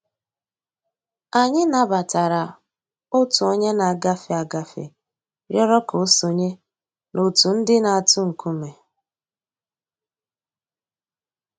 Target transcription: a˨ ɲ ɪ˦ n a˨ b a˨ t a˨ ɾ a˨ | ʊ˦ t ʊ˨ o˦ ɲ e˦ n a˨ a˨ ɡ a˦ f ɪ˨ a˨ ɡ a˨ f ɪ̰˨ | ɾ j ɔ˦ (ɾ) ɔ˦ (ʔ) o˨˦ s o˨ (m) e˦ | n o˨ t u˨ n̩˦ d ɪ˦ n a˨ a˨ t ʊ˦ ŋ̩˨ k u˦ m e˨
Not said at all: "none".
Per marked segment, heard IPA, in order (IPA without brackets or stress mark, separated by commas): ɾ, k, ɲ